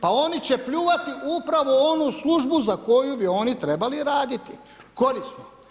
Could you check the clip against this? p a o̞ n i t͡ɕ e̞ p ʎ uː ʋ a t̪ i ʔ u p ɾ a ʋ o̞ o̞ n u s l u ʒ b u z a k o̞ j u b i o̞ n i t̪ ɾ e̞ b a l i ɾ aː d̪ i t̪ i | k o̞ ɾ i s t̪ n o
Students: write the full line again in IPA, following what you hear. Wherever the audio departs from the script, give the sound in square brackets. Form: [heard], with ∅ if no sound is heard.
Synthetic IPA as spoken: p a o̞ n i t͡ɕ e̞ p ʎ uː ʋ a t̪ i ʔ u p ɾ a ʋ o̞ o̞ n u s l u ʒ b u z a k o̞ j u b i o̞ n i t̪ ɾ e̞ b a l i ɾ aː d̪ i t̪ i | k o̞ ɾ i s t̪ n o